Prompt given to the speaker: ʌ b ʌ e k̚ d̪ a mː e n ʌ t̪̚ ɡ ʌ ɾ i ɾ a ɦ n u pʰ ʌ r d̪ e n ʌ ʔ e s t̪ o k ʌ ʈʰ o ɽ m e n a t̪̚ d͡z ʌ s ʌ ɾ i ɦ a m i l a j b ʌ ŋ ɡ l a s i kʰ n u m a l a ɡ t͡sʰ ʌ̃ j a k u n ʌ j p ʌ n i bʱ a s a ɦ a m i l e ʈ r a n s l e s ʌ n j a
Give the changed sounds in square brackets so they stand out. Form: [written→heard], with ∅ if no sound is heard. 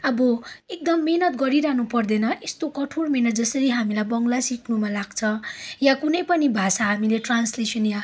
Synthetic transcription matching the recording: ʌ b ʌ e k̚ d̪ [a→ʌ] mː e n ʌ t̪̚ ɡ ʌ ɾ i ɾ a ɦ n u [pʰ→p] ʌ r d̪ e n ʌ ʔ e s t̪ o k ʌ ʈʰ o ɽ m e n [a→ʌ] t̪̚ d͡z ʌ s ʌ ɾ i ɦ a m i l a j b ʌ ŋ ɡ l a s i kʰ n u m a l a ɡ t͡sʰ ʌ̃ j a k u n ʌ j p ʌ n i bʱ a s a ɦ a m i l e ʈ r a n s l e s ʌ n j a